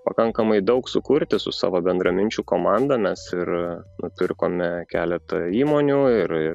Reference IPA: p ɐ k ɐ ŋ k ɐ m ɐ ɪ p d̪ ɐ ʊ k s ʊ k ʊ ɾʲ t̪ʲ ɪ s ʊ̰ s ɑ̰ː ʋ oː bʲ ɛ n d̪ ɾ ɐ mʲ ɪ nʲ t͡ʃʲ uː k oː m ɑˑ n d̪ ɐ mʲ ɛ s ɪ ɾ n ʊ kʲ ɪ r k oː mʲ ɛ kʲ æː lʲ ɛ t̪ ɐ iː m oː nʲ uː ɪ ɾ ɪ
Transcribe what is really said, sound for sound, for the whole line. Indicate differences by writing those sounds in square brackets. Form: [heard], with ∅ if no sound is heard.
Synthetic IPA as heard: p ɐ k ɐ ŋ k ɐ m ɐ ɪ [∅] d̪ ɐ ʊ k s ʊ k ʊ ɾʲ t̪ʲ ɪ s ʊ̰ s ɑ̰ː ʋ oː bʲ ɛ n d̪ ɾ ɐ mʲ ɪ nʲ t͡ʃʲ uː k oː m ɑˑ n d̪ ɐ mʲ ɛ s ɪ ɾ n ʊ [pʲ] ɪ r k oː mʲ ɛ kʲ æː lʲ ɛ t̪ ɐ iː m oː nʲ uː ɪ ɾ ɪ